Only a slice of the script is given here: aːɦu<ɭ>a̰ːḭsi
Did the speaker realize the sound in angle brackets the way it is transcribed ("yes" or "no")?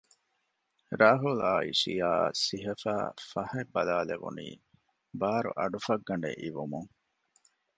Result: no